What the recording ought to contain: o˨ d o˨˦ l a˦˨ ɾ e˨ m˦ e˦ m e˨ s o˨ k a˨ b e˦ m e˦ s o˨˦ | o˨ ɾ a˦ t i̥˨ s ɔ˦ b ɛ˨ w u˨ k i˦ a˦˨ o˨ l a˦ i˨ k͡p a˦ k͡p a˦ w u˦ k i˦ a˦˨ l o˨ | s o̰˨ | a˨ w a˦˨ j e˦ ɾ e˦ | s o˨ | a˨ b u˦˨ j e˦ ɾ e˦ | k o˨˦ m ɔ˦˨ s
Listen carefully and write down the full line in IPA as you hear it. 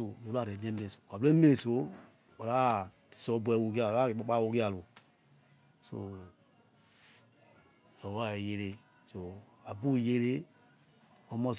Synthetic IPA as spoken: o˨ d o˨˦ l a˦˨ ɾ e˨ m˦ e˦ m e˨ s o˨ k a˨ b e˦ m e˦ s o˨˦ | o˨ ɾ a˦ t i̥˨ s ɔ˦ b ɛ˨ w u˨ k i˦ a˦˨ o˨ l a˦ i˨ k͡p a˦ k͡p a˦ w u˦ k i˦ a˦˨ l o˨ | s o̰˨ | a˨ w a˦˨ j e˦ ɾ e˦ | s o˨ | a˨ b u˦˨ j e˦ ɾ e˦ | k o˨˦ m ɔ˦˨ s

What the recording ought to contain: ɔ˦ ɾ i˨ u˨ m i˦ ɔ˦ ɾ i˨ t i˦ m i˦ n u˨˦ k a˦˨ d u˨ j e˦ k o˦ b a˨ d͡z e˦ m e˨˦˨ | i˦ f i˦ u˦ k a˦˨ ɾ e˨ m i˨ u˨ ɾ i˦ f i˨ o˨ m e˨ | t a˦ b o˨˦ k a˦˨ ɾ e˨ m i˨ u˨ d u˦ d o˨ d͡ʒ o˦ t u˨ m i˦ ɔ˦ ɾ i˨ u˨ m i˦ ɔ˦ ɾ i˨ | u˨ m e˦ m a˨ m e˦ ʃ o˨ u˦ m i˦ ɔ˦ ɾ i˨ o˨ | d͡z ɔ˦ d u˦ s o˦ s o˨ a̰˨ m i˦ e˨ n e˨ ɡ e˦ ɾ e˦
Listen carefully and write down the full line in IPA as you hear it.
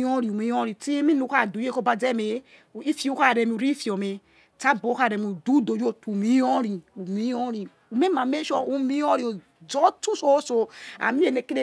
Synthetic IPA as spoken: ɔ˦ ɾ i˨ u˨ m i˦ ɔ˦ ɾ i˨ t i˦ m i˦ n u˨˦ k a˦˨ d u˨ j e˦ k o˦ b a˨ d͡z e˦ m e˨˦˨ | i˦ f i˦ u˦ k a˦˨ ɾ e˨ m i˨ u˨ ɾ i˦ f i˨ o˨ m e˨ | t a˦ b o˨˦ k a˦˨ ɾ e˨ m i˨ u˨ d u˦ d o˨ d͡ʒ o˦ t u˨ m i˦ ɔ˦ ɾ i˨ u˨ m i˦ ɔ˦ ɾ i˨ | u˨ m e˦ m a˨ m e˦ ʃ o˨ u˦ m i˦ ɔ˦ ɾ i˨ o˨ | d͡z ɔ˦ t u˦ s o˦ s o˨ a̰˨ m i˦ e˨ n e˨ k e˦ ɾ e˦

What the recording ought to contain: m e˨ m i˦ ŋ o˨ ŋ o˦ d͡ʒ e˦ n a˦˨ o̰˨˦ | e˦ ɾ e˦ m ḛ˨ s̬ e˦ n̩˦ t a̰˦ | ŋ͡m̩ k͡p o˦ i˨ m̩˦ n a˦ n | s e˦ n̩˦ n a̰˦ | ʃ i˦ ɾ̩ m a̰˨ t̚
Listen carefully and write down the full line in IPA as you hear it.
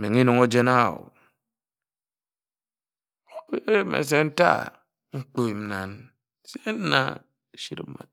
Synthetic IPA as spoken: m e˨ ŋ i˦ n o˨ ŋ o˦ d͡ʒ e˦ n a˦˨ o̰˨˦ | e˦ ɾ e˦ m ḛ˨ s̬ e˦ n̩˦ t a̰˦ | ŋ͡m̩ k͡p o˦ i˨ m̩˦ n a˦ n | s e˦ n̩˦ n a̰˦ | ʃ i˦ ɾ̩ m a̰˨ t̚

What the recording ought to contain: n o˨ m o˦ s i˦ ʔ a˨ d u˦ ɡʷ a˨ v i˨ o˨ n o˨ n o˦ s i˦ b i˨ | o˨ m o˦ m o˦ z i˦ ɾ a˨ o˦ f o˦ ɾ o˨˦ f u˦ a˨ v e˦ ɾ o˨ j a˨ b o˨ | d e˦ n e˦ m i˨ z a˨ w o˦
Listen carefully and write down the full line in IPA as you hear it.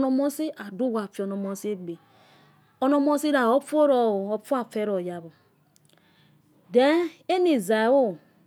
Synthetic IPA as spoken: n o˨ m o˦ s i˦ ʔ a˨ d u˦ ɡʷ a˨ f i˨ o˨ n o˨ m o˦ s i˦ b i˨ | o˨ n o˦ m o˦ s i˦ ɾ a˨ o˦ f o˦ ɾ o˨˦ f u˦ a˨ f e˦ ɾ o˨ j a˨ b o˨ | d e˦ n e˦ n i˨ z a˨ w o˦

